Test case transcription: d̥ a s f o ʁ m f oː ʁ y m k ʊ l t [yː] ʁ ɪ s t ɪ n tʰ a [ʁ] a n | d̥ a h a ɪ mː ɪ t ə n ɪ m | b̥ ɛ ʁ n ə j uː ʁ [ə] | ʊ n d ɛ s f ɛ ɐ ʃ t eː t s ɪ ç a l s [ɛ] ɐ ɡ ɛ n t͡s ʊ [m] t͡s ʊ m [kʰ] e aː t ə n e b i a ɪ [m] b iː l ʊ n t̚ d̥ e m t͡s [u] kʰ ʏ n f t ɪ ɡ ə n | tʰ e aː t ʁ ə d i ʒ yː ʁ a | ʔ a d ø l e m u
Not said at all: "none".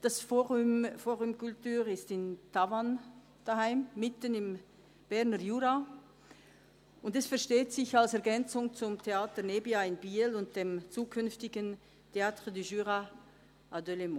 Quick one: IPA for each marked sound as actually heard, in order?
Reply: yː, v, a, ɛ, ŋ, tʰ, n, uː

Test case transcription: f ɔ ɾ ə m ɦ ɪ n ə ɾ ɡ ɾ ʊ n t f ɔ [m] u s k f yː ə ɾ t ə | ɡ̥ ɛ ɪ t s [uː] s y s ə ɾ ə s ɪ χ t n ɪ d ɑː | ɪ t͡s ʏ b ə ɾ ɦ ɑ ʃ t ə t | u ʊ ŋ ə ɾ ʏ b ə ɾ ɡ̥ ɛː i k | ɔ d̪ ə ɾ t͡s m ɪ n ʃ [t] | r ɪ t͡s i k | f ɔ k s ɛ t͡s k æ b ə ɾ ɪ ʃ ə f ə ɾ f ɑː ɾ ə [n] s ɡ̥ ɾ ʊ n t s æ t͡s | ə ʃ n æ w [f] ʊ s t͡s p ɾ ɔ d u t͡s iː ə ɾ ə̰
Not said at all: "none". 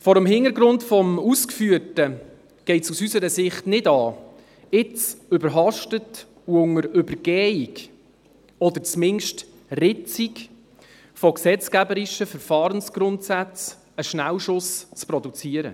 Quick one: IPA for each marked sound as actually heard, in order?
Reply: m, u, t, n, ʃ

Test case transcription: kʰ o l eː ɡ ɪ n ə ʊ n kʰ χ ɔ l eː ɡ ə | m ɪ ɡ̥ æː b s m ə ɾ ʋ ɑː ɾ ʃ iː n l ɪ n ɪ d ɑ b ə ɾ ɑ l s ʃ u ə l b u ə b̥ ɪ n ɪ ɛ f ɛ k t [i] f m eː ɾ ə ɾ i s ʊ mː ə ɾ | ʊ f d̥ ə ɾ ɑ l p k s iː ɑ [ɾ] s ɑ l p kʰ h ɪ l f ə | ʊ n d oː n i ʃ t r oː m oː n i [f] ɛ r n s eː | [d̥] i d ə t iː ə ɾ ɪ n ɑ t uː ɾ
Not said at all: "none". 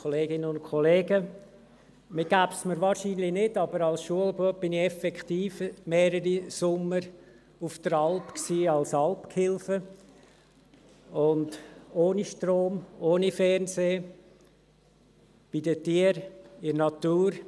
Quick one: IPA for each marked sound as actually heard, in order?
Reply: iː, l, f, b̥

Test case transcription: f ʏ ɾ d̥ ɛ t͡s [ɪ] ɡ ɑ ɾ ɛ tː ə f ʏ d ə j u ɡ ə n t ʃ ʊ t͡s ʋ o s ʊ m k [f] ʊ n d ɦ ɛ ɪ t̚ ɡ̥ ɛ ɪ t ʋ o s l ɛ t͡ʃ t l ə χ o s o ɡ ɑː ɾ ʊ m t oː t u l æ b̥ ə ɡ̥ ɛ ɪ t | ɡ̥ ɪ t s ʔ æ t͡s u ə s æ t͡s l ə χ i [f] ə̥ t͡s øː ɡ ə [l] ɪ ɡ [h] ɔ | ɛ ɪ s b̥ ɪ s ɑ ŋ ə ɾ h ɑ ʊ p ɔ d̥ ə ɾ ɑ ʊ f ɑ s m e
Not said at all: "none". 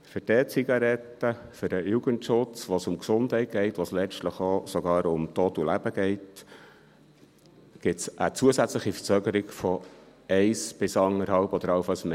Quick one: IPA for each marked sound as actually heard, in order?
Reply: i, s, f, ɾ, f

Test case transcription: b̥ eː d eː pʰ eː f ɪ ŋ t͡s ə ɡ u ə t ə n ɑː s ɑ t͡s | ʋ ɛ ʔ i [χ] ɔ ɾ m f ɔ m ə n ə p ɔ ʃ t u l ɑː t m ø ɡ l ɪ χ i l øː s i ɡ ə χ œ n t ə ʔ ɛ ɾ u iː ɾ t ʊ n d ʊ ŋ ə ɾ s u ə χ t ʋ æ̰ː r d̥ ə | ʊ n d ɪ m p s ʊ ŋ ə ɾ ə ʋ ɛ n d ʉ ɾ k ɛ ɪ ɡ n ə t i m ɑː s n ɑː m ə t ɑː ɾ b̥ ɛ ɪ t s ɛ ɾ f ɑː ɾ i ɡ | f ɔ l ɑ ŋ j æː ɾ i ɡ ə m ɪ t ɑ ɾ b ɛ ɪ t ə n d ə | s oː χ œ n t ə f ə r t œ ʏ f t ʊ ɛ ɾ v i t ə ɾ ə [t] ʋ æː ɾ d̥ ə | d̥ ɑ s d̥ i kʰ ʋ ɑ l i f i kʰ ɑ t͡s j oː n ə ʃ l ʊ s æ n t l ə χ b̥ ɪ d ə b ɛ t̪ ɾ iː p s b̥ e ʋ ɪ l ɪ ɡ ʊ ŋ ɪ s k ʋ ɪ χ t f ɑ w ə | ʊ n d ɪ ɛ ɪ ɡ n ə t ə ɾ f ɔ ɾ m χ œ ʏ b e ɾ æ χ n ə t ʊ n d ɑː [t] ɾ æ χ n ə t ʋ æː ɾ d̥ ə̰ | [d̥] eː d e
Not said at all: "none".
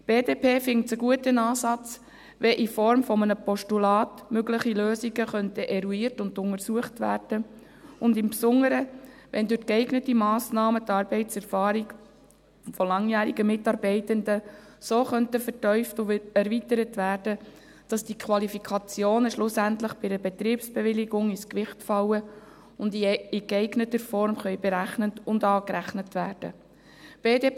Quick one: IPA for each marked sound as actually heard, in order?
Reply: f, t, k, b̥

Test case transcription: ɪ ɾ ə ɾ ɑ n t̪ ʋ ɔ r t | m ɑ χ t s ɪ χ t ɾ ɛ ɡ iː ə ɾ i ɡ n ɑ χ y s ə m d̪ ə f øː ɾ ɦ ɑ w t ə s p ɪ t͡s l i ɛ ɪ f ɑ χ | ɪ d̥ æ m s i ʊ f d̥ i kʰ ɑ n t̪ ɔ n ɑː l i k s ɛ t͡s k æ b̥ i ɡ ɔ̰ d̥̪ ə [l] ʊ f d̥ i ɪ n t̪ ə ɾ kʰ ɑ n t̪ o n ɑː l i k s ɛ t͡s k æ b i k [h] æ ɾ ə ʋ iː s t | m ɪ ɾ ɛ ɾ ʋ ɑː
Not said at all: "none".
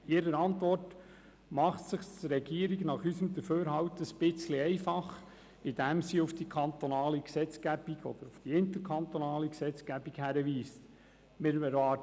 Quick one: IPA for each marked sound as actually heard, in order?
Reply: ɾ, h

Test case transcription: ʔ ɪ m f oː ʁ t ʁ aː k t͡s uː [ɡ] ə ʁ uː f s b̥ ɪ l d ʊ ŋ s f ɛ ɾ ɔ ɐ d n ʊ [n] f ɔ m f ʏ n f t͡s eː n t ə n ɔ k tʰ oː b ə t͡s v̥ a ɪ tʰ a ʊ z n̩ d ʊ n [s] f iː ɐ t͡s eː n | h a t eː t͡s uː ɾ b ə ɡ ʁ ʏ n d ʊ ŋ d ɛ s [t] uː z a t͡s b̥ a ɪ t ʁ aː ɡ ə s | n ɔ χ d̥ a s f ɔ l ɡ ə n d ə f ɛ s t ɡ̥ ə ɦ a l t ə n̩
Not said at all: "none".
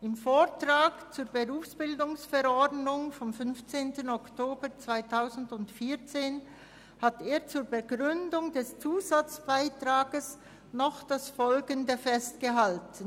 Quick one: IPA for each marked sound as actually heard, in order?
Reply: b, ŋ, t, t͡s

